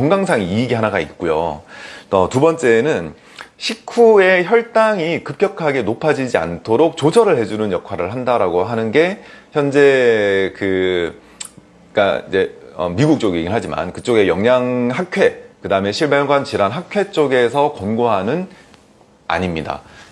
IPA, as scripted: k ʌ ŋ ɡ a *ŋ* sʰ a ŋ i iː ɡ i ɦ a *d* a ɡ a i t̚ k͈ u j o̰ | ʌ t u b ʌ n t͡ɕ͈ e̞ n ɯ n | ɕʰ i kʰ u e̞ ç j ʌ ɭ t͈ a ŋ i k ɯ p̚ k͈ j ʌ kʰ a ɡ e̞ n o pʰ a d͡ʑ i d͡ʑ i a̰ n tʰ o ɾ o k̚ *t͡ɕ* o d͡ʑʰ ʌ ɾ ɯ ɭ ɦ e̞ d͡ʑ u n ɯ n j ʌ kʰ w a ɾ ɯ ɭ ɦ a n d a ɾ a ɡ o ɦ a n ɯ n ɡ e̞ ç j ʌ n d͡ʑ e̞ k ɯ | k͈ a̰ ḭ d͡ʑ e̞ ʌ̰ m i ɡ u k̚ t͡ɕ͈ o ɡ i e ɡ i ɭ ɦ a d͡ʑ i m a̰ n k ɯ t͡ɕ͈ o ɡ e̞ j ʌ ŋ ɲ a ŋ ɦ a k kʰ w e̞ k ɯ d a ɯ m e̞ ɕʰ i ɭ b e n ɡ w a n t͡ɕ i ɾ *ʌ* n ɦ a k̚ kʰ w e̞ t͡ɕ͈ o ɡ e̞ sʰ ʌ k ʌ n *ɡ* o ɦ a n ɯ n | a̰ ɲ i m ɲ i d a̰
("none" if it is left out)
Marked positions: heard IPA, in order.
ŋ, n, t͡ɕ, a, ɡ

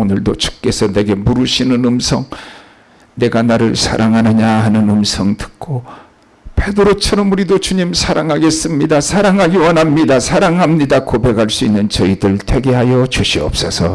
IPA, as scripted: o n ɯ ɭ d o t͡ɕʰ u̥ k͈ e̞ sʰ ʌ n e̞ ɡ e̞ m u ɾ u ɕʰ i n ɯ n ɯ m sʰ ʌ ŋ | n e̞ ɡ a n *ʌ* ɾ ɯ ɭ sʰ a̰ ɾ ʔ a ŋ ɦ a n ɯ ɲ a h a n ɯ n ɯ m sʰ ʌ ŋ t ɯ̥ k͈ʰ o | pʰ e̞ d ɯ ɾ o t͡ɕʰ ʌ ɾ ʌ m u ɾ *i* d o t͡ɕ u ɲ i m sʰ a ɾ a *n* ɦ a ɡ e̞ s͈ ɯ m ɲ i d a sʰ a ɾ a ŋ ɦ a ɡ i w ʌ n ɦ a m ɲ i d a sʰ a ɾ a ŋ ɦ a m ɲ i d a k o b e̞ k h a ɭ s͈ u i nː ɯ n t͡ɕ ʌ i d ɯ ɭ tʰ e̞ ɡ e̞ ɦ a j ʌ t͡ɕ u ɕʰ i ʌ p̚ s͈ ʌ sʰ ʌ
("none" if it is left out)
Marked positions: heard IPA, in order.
a, i, ŋ

